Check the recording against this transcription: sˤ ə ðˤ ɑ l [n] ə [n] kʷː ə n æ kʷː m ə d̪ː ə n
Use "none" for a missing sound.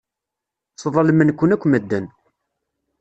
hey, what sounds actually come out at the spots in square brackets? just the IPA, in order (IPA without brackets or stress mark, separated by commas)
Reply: m, n